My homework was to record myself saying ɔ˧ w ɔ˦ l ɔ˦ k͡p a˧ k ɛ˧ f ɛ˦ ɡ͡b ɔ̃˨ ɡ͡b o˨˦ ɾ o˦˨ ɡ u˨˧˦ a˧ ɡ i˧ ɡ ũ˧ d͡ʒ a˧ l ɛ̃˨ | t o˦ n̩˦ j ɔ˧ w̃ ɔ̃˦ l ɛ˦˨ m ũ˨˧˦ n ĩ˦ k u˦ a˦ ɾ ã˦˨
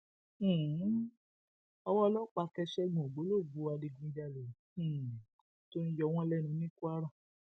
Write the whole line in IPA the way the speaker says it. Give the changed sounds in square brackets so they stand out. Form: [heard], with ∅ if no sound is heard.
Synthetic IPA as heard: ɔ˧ w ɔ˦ l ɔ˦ k͡p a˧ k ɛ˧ [ʃ] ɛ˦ ɡ͡b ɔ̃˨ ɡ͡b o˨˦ [l] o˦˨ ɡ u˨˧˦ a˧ [d] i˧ ɡ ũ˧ d͡ʒ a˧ l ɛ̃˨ | t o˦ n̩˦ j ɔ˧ w̃ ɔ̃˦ l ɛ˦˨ [n] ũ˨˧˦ n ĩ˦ k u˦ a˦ ɾ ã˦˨